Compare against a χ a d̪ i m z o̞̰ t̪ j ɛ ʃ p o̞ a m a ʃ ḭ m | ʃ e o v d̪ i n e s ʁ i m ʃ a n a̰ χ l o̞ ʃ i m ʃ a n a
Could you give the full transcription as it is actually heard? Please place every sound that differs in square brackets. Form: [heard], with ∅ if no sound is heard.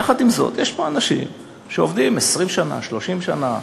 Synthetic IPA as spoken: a χ a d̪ i m z o̞̰ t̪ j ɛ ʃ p o̞ a [n] a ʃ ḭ m | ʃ e o v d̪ i [m] e s ʁ i m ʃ a n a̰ [ʃ] l o̞ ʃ i m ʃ a n a